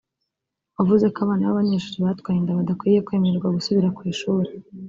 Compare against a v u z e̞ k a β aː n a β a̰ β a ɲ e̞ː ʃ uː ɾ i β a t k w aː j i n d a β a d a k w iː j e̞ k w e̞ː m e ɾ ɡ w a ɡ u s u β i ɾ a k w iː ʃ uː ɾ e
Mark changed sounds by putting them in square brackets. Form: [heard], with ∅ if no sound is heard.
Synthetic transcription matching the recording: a v u z e̞ k a β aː n a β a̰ β a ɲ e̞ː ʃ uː ɾ i β a t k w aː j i n d a β a d a k w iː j e̞ k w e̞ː m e ɾ ɡ w a ɡ u s u β i ɾ a k w iː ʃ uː ɾ e